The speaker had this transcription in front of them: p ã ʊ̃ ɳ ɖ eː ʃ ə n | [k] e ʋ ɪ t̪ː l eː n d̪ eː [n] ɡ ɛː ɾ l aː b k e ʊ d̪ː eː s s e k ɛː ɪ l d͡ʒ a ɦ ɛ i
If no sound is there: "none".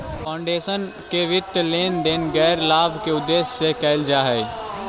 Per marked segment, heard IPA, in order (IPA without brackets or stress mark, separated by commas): k, n